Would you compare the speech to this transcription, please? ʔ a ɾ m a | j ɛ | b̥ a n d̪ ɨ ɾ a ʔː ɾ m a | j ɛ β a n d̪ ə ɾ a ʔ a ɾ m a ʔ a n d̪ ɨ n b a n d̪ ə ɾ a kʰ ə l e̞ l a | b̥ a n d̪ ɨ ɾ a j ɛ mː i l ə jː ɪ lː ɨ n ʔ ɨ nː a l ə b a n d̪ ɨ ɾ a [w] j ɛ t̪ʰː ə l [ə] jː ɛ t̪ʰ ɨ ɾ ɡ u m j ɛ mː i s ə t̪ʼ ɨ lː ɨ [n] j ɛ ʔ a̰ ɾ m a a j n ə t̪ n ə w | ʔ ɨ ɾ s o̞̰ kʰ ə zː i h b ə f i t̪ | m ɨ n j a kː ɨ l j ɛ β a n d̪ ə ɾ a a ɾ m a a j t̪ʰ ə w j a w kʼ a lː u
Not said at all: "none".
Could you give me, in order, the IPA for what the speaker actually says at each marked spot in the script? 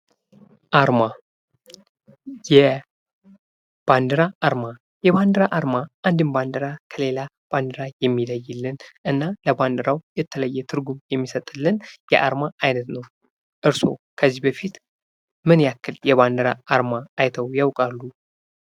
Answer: w, ə, n

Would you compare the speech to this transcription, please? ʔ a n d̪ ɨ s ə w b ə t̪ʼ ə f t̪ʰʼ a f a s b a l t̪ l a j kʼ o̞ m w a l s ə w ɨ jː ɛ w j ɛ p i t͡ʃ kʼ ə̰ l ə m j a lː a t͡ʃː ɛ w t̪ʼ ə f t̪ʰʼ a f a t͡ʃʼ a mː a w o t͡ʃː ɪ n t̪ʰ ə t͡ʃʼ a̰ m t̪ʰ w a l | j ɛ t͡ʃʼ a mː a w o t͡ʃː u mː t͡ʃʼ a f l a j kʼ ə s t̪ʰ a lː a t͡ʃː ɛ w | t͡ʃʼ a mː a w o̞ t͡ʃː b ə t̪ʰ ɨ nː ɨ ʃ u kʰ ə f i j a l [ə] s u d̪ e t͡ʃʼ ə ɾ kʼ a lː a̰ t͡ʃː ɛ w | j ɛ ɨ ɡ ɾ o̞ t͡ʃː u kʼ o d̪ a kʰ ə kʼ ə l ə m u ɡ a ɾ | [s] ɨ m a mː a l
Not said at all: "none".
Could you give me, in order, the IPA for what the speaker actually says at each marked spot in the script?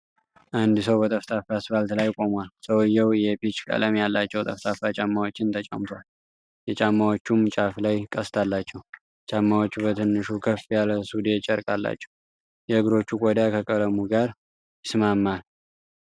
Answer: ə, s

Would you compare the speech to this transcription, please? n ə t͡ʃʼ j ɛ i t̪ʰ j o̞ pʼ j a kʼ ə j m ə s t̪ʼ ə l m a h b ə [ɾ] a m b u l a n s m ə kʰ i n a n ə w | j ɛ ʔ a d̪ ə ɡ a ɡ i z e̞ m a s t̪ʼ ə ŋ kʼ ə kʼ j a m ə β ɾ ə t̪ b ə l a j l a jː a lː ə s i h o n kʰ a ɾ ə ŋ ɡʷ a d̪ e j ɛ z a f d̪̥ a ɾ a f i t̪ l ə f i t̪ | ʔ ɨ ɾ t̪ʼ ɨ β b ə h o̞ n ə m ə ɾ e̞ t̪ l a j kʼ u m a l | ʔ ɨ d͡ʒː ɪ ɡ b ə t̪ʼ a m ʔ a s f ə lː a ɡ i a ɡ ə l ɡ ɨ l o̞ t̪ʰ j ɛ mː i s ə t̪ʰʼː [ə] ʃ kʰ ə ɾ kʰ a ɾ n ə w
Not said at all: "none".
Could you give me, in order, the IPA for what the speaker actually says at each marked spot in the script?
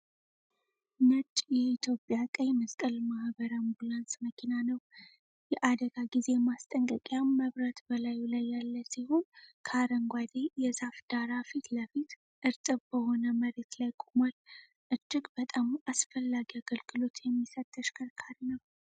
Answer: ɾ, ə

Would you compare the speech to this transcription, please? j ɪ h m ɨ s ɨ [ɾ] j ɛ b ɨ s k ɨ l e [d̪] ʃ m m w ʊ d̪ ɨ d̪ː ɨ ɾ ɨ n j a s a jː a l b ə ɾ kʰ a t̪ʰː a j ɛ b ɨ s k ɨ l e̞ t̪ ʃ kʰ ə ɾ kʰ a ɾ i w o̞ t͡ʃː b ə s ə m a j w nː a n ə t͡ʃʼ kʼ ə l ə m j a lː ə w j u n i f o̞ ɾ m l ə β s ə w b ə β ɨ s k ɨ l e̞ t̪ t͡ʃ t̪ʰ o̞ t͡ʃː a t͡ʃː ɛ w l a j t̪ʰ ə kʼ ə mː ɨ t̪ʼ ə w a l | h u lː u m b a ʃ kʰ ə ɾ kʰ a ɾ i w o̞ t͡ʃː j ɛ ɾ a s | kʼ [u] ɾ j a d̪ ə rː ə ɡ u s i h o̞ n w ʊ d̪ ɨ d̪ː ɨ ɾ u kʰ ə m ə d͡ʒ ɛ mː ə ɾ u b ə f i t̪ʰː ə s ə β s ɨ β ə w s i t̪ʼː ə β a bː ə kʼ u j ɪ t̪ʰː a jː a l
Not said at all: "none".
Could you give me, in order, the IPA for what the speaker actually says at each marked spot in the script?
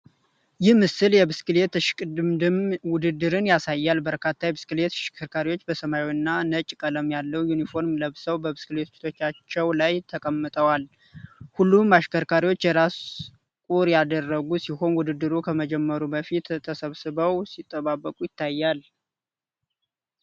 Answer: l, t̪, u

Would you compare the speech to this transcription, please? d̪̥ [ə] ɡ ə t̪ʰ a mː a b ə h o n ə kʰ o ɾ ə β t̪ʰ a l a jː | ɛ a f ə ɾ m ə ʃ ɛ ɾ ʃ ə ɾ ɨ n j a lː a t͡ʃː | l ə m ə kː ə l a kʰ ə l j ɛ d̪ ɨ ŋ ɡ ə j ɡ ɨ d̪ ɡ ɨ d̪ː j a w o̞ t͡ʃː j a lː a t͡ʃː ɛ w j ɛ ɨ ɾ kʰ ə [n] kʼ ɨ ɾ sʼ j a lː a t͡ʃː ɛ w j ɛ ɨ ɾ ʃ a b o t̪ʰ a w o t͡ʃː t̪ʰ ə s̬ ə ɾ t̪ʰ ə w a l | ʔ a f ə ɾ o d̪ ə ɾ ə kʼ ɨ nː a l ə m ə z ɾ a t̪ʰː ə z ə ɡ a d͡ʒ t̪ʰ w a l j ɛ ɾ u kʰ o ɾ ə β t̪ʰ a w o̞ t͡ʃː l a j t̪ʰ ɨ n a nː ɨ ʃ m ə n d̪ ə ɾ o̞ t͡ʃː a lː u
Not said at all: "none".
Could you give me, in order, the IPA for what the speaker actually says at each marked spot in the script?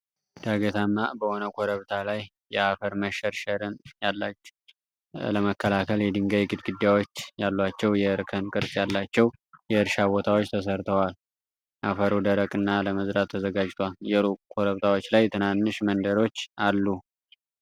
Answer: a, n

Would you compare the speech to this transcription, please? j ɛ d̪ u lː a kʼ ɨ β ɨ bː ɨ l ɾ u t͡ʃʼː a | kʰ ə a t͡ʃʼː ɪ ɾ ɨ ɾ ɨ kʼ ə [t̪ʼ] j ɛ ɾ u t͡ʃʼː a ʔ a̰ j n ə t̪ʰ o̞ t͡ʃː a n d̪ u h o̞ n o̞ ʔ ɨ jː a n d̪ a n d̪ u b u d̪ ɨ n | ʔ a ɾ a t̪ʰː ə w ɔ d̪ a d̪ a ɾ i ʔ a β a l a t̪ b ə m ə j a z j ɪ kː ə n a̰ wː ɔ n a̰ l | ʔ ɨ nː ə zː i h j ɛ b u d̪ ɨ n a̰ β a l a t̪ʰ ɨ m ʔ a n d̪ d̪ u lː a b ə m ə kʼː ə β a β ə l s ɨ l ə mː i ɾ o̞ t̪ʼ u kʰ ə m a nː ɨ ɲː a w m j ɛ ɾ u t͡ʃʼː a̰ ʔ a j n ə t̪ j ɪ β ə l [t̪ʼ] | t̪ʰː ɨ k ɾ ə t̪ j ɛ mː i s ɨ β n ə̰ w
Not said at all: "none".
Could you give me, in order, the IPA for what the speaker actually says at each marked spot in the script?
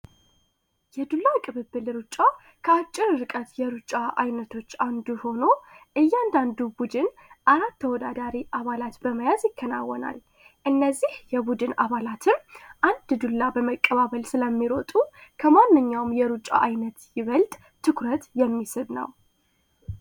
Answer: t̪, t̪ʼ

